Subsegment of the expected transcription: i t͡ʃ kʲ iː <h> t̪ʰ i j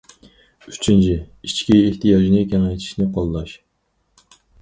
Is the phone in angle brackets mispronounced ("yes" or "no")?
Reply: no